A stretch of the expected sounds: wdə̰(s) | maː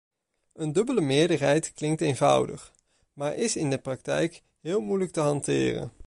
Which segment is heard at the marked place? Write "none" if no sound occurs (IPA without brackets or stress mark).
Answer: χ